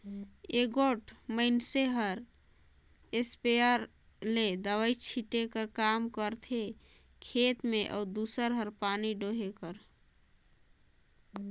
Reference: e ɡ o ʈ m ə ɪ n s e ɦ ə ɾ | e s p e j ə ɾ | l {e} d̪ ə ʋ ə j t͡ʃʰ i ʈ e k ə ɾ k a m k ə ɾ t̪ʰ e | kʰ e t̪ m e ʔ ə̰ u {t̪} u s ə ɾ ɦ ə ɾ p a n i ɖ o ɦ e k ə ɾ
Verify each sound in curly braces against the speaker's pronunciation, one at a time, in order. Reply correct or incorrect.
correct, incorrect

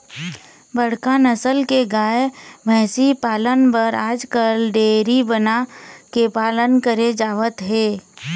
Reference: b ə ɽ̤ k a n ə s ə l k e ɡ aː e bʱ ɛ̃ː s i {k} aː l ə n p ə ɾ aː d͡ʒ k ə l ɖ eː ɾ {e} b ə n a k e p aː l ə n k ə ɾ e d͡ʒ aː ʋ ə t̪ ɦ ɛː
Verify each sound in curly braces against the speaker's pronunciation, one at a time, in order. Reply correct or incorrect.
incorrect, incorrect

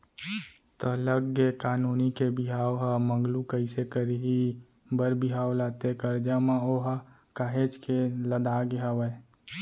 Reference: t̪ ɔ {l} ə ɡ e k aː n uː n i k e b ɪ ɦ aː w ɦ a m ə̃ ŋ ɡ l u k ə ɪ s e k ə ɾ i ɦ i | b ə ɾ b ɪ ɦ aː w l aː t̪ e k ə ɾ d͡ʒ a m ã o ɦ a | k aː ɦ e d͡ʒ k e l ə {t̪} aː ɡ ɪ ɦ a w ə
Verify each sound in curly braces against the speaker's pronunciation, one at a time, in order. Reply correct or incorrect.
correct, incorrect

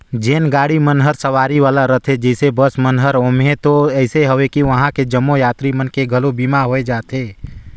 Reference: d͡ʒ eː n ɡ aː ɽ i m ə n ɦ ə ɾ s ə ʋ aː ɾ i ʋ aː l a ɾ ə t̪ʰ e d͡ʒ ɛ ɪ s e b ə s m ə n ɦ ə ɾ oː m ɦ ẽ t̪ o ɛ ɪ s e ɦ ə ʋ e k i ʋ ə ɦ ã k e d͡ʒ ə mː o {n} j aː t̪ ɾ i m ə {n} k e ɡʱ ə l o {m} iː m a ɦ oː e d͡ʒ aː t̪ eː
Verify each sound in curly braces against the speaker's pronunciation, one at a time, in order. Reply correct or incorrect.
incorrect, correct, incorrect

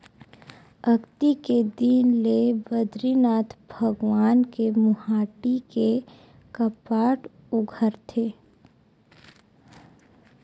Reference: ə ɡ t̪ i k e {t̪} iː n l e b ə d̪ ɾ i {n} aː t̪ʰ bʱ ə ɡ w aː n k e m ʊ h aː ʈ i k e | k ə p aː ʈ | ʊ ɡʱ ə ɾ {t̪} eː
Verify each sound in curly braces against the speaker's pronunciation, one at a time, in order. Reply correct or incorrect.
incorrect, correct, incorrect

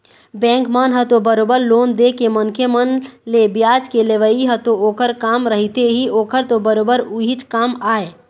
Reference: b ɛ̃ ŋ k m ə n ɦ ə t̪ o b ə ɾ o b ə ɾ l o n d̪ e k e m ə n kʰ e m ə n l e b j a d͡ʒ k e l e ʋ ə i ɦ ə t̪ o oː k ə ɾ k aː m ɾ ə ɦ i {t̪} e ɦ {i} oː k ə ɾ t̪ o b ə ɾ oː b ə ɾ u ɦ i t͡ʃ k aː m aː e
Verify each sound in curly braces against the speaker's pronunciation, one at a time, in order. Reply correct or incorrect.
correct, correct

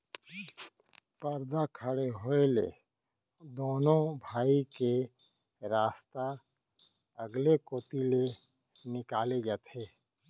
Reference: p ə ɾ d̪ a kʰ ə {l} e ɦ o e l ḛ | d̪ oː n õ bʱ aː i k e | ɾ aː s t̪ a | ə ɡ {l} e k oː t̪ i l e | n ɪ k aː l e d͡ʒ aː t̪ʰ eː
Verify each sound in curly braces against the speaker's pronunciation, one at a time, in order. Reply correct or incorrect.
incorrect, correct

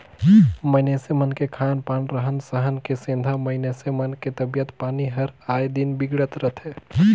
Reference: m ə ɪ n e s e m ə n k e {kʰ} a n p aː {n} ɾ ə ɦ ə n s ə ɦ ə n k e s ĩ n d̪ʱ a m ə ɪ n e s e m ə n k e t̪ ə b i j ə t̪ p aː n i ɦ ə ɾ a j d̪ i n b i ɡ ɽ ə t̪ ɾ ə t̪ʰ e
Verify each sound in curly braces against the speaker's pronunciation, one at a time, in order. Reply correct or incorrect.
correct, correct

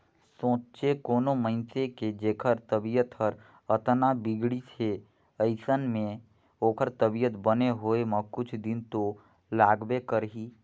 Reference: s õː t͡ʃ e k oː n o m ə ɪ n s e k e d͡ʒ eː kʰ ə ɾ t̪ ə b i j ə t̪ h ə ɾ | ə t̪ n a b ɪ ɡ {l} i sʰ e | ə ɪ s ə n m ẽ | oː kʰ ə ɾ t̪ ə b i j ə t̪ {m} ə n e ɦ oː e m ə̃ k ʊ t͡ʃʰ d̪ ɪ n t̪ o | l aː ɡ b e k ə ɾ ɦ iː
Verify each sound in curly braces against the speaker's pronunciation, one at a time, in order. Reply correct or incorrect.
incorrect, incorrect

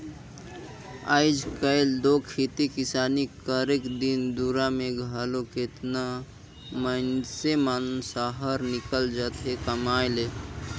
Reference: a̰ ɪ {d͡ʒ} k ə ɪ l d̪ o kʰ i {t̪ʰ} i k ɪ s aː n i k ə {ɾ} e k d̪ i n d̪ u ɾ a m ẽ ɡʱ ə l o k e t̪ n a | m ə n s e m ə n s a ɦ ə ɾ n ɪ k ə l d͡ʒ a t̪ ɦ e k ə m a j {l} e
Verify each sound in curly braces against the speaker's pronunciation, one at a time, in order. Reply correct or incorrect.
correct, incorrect, correct, correct

